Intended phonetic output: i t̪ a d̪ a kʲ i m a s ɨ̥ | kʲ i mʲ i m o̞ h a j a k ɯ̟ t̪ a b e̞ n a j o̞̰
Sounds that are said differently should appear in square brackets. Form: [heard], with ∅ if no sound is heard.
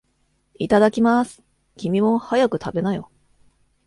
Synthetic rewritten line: i t̪ a d̪ a kʲ i m a s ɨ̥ | kʲ i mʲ i m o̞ h a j a k ɯ̟ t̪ a b e̞ n a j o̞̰